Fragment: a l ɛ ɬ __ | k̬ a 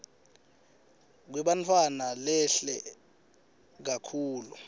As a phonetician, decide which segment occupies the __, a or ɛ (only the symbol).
ɛ